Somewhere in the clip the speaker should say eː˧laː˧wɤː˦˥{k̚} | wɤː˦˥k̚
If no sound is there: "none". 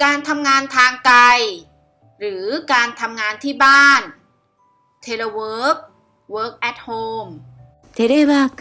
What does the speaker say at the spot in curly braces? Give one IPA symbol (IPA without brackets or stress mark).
k̚